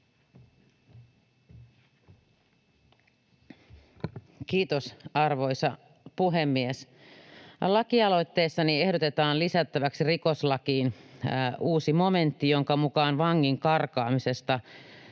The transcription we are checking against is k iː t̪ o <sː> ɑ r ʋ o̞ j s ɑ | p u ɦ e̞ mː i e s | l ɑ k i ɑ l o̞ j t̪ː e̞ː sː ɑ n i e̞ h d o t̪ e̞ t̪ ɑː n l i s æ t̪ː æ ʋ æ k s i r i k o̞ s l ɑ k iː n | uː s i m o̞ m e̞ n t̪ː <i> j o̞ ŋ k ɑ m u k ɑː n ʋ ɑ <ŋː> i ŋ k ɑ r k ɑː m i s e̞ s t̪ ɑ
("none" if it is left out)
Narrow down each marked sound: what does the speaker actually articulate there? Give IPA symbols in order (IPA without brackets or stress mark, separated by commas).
s, i, ŋː